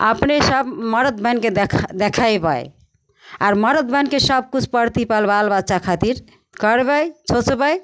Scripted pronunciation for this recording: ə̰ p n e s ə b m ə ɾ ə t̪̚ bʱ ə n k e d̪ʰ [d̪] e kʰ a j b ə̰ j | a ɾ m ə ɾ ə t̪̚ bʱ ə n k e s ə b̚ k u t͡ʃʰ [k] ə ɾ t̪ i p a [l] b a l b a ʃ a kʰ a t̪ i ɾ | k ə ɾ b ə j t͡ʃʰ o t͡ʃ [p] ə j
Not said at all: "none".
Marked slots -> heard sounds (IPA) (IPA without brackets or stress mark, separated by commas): d̪, p, l, b